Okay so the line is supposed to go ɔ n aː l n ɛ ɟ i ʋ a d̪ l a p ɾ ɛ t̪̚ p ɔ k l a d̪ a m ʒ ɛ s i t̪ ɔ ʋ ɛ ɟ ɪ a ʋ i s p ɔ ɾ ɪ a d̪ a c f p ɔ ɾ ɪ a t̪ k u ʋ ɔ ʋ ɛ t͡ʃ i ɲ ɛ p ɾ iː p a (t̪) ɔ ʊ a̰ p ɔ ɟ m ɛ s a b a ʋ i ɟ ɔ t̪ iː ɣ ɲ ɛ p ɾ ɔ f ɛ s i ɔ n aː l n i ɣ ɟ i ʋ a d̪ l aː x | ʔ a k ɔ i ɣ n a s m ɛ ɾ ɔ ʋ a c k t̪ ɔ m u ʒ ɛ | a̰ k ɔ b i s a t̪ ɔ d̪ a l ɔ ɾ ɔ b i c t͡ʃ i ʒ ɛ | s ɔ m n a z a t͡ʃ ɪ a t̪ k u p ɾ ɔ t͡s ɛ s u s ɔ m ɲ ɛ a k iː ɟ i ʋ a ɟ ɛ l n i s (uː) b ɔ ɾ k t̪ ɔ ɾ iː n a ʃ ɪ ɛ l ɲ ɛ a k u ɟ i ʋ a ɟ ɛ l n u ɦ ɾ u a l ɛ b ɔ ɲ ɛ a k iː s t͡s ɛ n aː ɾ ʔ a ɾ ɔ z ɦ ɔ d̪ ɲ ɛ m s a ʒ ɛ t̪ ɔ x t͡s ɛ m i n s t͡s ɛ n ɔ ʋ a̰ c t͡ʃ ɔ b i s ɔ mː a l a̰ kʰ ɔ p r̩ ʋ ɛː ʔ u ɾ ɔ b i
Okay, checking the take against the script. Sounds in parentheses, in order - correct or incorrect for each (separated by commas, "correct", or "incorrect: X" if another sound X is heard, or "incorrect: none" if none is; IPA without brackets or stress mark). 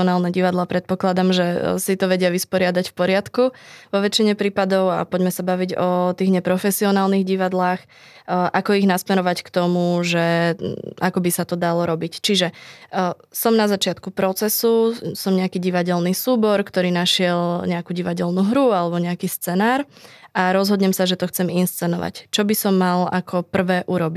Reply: incorrect: d̪, correct